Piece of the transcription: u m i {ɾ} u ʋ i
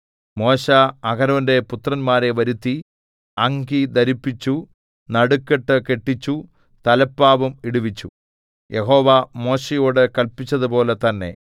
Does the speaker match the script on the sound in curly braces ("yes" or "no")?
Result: no